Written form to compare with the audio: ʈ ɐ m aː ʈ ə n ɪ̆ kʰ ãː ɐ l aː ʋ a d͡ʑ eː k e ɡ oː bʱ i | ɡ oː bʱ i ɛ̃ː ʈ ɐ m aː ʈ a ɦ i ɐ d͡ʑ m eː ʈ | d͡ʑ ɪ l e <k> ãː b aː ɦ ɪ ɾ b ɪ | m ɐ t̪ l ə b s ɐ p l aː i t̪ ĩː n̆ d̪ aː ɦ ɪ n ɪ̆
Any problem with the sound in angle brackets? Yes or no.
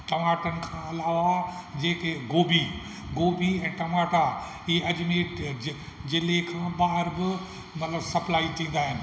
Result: yes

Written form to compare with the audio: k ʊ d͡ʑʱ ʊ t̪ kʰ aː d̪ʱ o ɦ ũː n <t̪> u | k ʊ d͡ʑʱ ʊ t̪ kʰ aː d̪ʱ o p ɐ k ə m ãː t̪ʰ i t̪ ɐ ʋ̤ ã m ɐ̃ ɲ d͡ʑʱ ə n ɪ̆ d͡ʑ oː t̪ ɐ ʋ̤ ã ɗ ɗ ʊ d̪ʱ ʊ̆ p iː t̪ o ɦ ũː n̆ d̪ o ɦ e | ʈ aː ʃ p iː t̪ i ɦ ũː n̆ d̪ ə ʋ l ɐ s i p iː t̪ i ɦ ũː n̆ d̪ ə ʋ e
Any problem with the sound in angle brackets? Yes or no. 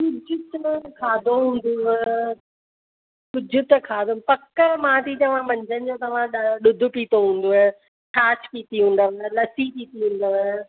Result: yes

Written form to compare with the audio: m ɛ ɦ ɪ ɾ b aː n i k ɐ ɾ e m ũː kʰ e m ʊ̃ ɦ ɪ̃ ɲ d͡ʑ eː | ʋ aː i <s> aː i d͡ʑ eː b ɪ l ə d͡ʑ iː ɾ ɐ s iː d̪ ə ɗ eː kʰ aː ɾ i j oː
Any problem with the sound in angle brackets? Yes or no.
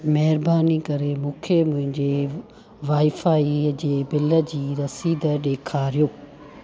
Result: yes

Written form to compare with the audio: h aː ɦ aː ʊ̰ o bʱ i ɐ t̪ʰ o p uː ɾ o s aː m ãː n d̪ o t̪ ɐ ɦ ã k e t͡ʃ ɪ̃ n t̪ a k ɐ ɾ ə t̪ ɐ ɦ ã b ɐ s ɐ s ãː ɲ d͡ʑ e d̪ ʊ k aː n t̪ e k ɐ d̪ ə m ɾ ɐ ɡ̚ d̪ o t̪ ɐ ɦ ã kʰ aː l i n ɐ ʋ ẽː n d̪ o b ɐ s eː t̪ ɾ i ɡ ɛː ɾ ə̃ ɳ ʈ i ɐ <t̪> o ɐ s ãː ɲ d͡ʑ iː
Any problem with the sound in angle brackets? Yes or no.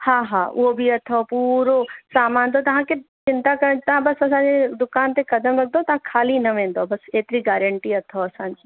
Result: yes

